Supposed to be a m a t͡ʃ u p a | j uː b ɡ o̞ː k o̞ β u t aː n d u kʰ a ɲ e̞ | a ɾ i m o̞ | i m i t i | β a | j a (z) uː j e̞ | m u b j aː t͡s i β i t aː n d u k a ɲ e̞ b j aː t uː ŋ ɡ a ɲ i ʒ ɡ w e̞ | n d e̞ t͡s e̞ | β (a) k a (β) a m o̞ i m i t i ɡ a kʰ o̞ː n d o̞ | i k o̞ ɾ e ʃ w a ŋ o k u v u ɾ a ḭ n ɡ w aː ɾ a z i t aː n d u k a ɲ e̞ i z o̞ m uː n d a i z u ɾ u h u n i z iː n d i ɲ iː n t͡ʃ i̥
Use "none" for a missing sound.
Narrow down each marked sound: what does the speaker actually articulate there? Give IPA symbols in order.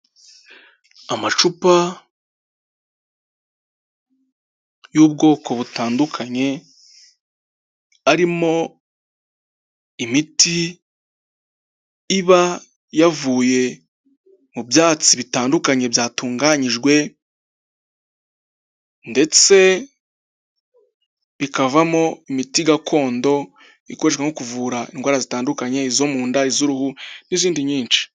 v, i, v

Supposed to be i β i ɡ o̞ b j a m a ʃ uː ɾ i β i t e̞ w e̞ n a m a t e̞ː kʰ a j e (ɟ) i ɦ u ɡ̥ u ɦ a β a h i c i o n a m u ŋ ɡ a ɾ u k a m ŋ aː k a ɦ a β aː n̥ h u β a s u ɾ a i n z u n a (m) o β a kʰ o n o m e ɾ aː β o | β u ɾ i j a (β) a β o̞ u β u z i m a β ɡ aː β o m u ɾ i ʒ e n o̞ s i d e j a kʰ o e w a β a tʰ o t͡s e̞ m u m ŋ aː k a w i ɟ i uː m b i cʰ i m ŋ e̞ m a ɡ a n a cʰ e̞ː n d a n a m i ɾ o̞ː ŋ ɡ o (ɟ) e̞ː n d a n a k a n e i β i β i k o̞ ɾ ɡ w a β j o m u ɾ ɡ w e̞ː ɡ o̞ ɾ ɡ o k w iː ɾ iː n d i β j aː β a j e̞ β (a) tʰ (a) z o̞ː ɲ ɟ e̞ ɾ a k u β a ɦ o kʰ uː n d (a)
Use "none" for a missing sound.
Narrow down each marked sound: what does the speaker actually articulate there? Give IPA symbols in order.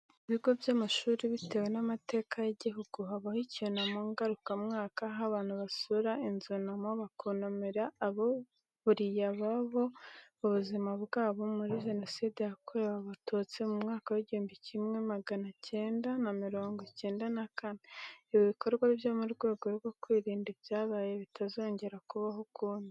ɟ, m, β, c, i, a, i

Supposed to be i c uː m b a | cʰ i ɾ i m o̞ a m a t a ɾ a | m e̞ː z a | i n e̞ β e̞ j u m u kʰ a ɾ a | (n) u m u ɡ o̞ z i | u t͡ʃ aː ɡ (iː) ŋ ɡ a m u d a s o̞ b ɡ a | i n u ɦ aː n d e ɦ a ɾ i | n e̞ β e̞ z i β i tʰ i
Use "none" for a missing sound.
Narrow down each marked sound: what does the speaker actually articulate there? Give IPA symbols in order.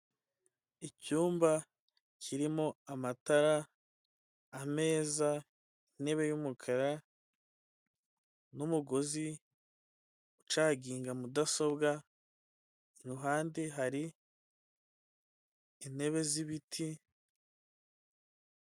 n, iː

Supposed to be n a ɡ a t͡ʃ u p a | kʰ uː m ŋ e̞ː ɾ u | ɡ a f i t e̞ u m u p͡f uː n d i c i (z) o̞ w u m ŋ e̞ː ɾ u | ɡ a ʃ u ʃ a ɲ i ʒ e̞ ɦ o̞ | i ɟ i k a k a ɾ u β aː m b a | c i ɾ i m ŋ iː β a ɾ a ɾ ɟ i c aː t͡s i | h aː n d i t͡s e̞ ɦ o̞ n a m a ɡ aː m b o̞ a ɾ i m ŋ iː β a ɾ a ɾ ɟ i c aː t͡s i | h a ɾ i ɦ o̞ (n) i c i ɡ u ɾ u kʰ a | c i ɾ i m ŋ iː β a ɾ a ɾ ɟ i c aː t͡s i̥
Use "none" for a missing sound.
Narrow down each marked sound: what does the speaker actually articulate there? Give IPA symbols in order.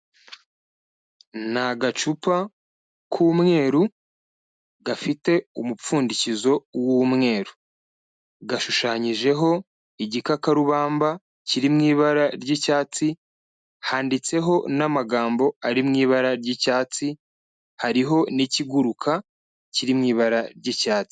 z, n

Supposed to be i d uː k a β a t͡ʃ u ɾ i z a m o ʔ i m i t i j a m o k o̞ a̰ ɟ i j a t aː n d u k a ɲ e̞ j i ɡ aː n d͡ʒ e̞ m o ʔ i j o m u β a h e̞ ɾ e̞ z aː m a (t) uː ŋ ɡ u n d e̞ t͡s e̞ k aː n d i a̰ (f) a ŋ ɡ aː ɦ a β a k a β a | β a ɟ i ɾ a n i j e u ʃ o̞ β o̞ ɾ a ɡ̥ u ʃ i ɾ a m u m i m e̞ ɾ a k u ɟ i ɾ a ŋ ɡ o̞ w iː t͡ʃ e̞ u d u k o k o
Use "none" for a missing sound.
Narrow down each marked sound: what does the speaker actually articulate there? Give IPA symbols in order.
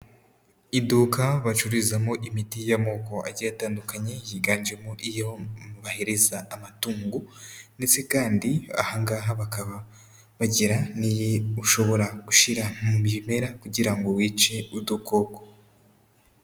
t, h

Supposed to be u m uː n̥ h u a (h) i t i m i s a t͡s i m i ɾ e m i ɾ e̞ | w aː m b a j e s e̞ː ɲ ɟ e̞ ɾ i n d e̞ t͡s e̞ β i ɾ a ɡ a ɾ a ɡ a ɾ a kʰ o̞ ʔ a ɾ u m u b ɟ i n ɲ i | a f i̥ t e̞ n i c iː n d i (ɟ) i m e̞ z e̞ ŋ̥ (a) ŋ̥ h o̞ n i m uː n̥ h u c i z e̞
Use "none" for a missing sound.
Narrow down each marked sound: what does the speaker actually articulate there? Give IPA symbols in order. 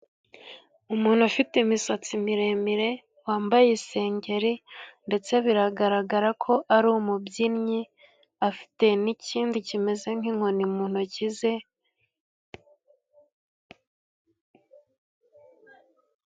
f, c, i

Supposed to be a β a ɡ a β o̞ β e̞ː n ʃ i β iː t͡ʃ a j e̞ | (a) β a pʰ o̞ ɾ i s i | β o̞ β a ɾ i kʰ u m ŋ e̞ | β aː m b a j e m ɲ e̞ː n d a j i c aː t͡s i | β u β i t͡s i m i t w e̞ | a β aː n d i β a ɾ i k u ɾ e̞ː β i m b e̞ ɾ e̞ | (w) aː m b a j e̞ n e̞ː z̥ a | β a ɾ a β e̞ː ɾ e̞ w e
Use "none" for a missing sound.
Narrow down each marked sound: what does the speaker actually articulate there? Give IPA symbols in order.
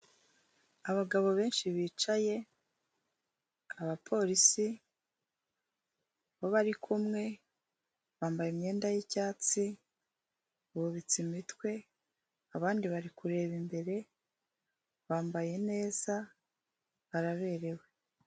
a, β

